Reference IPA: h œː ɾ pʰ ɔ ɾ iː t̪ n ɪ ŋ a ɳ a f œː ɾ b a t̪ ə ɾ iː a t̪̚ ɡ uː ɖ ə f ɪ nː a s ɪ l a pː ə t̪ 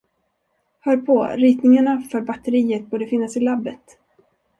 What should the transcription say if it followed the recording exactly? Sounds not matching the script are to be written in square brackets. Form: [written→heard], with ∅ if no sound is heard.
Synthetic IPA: h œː ɾ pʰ ɔ ɾ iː t̪ n ɪ ŋ a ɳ a f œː ɾ b a t̪ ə ɾ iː [a→ə] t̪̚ [ɡ→b] uː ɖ ə f ɪ nː a s ɪ l a [pː→bː] ə t̪

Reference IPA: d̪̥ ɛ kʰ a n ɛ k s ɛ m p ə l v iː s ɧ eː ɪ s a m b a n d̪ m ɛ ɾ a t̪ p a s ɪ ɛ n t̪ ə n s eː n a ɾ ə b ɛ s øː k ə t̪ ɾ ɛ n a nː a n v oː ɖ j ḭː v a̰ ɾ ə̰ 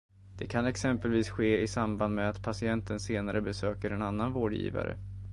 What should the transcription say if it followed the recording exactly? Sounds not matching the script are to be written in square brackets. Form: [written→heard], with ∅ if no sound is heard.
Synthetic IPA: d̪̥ ɛ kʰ a n ɛ k s ɛ m p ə l v iː s ɧ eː ɪ s a m b a n d̪ m ɛ [ɾ→∅] a t̪ [p→pʰ] a s ɪ ɛ n t̪ ə n s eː n a ɾ ə b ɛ s øː k ə [t̪→∅] ɾ ɛ n a nː a n v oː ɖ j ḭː v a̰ ɾ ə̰

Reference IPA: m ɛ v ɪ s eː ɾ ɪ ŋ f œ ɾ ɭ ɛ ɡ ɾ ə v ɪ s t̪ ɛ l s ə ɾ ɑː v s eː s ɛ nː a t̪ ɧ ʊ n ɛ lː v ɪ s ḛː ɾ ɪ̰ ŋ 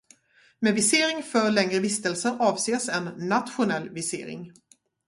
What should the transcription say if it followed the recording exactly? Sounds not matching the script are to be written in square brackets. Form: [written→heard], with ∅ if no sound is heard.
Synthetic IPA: m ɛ v ɪ s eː ɾ ɪ ŋ f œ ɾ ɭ ɛ [ɡ→ŋ] ɾ ə v ɪ s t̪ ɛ l s ə ɾ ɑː v s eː s ɛ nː a t̪ ɧ ʊ n ɛ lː v ɪ s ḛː ɾ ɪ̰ ŋ

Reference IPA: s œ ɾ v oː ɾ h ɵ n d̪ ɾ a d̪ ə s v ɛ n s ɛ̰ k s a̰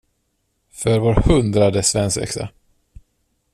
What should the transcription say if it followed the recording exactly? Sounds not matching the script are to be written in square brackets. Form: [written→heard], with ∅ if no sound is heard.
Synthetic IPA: [s→f] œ ɾ v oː ɾ h ɵ n d̪ ɾ a d̪ ə s v ɛ n s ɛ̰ k s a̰

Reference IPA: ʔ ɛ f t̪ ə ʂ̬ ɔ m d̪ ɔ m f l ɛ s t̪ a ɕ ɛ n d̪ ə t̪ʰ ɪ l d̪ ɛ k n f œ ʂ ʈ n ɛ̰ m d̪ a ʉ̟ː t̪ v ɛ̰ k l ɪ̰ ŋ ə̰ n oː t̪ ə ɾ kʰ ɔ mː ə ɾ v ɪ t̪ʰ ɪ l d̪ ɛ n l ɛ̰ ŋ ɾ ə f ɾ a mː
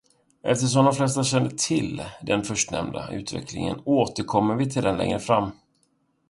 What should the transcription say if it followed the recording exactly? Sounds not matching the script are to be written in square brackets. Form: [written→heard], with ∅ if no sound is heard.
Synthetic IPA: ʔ ɛ f t̪ ə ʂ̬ ɔ m d̪ ɔ m f l ɛ s t̪ a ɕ ɛ n d̪ ə t̪ʰ ɪ l d̪ ɛ [k→∅] n f œ ʂ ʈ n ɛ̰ m d̪ a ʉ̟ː t̪ v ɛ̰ k l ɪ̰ ŋ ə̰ n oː t̪ ə ɾ kʰ ɔ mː ə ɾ v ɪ t̪ʰ ɪ l d̪ ɛ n l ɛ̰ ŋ ɾ ə f ɾ a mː

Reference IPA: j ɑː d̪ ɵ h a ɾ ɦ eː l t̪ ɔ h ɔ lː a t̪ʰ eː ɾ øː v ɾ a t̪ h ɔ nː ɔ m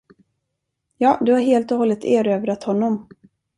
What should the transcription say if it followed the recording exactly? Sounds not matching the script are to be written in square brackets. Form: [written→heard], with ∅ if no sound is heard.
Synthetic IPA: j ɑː d̪ ɵ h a ɾ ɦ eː l t̪ ɔ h ɔ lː [a→ə] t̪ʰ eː ɾ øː v ɾ a t̪ h ɔ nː ɔ m

